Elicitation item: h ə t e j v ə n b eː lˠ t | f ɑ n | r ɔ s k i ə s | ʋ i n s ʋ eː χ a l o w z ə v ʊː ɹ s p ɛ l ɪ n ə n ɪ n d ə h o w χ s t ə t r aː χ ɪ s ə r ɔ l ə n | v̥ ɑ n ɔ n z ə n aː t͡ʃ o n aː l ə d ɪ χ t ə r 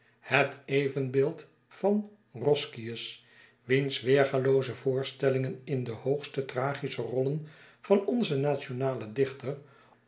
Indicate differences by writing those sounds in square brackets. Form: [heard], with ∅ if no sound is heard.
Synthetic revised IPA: h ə t e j v ə n b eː lˠ t | f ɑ n | r ɔ s k i ə s | ʋ i n s ʋ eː χ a l o w z ə v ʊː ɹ s [t] ɛ l ɪ [ŋ] ə n ɪ n d ə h o w χ s t ə t r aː χ [i] s ə r ɔ l ə n | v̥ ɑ n ɔ n z ə n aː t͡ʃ o n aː l ə d ɪ χ t ə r

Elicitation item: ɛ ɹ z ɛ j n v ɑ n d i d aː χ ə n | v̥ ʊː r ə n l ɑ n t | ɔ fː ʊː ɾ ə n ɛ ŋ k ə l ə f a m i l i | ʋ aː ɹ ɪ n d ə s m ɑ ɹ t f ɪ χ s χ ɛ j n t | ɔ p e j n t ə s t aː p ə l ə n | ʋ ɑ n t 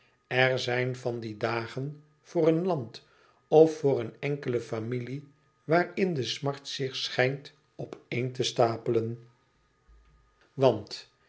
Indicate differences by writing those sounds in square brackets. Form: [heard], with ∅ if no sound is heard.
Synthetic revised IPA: ɛ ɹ z ɛ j n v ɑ n d i d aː χ ə n | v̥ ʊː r ə n l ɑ n t | ɔ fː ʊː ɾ ə n ɛ ŋ k ə l ə f a m i l i | ʋ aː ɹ ɪ n d ə s m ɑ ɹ t [s] ɪ χ s χ ɛ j n t | ɔ p e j n t ə s t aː p ə l ə n | ʋ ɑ n t

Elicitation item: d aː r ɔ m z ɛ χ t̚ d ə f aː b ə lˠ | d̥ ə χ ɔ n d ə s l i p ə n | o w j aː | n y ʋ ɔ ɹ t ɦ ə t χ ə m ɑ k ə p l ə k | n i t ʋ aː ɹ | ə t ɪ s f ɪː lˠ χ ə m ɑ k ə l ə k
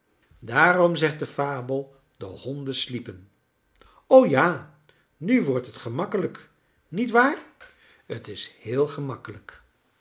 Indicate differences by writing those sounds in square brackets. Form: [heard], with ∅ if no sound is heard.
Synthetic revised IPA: d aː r ɔ m z ɛ χ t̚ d ə f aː b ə lˠ | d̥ ə [h] ɔ n d ə s l i p ə n | o w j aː | n y ʋ ɔ ɹ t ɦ ə t χ ə m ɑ k ə [∅] l ə k | n i t ʋ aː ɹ | ə t ɪ s [h] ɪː lˠ χ ə m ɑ k ə l ə k

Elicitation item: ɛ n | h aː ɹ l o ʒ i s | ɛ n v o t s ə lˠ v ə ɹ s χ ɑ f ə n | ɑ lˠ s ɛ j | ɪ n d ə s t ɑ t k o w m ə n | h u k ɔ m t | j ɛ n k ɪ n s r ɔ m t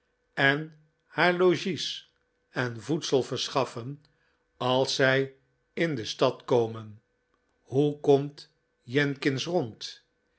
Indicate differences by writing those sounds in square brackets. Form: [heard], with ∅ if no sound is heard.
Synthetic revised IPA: ɛ n | h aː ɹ l o ʒ i s | ɛ n v [u] t s ə lˠ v ə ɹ s χ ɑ f ə n | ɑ lˠ s ɛ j | ɪ n d ə s t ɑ t k o w m ə n | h u k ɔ m t | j ɛ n k ɪ n s r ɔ [n] t

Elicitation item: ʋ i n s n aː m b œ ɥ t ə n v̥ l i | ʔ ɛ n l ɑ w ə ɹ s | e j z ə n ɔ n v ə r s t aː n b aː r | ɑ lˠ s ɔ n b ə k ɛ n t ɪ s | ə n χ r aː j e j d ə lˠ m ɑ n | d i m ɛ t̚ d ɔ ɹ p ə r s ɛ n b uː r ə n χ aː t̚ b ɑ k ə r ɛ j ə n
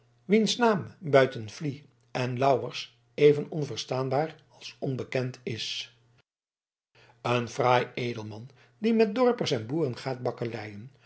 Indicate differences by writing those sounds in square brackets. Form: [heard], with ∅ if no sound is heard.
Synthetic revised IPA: ʋ i n s n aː m b œ ɥ t ə n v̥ l i | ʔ ɛ n l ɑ w ə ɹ s | e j [v] ə n ɔ n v ə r s t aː n b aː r | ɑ lˠ s ɔ n b ə k ɛ n t ɪ s | ə n [f] r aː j e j d ə lˠ m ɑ n | d i m ɛ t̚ d ɔ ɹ p ə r s ɛ n b uː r ə n χ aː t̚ b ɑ k ə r ɛ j ə n

